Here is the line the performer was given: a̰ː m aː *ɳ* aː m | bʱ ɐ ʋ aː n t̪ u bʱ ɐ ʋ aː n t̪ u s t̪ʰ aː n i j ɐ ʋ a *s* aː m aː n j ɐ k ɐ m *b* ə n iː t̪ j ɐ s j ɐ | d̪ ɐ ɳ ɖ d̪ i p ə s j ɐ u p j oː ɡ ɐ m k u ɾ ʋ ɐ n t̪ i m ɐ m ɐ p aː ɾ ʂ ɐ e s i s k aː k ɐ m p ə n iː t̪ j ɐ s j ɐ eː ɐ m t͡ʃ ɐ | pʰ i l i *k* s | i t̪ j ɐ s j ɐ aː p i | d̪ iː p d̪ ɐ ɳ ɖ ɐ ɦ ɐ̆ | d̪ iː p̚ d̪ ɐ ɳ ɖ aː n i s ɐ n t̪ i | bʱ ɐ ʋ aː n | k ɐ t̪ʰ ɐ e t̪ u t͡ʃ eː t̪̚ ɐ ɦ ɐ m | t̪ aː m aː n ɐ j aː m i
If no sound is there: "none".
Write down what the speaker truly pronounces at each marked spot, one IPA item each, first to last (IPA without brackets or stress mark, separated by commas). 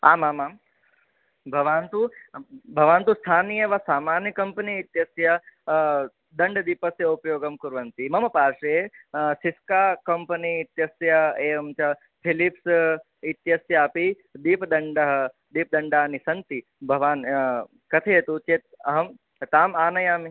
m, s, p, p